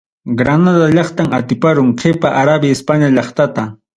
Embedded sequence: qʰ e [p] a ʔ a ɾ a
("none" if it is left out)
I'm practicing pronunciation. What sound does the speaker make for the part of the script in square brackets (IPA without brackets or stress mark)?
p